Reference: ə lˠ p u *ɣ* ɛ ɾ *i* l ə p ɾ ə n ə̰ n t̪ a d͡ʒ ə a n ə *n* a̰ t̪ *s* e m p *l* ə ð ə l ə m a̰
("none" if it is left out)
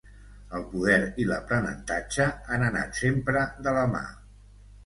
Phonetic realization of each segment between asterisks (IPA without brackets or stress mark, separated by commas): ð, i, n, s, ɾ